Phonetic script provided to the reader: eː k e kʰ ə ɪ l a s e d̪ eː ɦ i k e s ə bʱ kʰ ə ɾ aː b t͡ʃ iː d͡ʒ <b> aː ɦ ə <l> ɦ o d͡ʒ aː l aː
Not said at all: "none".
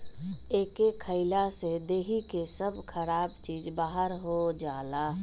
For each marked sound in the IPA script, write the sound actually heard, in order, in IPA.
b, ɾ

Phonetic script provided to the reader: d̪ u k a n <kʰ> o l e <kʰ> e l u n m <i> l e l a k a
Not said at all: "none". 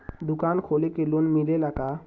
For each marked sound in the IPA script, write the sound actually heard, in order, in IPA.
kʰ, k, i

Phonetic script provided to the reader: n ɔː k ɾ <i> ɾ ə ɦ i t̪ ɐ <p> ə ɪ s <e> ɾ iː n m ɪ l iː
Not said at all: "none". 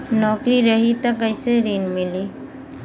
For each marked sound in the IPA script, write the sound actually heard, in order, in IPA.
i, k, e

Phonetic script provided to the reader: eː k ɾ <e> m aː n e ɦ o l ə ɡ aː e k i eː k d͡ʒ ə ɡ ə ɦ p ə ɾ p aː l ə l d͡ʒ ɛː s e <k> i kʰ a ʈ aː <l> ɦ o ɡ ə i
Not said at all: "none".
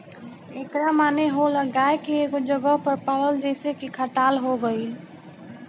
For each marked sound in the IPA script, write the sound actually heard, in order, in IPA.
a, k, l

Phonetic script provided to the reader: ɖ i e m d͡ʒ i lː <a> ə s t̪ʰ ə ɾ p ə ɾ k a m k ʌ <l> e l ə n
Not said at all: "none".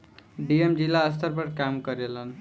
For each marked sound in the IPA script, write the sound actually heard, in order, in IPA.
a, ɾ

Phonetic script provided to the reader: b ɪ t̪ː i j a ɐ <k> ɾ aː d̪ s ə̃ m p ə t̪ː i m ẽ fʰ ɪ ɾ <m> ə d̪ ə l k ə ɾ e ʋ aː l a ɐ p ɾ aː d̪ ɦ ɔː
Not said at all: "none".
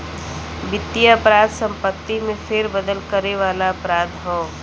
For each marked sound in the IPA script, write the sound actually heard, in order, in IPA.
p, b

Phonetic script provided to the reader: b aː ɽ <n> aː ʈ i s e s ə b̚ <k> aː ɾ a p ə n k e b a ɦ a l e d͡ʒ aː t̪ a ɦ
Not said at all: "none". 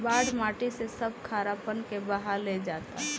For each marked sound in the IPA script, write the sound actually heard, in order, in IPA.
m, kʰ

